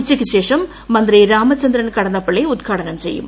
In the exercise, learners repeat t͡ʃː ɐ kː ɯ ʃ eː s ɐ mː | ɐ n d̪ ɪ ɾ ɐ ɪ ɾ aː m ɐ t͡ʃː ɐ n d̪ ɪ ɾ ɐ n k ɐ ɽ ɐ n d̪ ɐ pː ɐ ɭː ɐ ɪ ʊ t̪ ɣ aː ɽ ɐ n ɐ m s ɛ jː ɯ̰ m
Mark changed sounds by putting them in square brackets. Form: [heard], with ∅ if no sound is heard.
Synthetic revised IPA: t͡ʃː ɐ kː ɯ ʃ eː [ʂ] ɐ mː | ɐ n d̪ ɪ ɾ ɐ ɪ ɾ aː m ɐ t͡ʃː ɐ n d̪ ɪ ɾ ɐ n k ɐ ɽ ɐ n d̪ ɐ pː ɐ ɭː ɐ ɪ ʊ t̪ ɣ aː ɽ ɐ n ɐ m s ɛ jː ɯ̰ m